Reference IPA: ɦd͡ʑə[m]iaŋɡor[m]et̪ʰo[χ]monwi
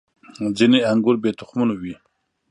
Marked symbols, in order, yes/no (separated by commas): no, no, yes